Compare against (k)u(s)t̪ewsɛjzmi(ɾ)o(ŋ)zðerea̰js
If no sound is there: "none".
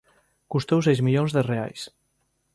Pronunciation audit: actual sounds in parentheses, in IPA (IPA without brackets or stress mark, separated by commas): k, s, ʎ, n